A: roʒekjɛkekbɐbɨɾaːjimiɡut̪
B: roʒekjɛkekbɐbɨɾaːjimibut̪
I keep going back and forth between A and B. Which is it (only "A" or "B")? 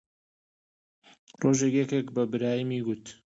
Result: A